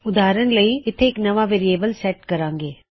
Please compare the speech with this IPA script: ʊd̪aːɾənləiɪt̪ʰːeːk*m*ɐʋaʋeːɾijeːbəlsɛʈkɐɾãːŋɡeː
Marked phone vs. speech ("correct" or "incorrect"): incorrect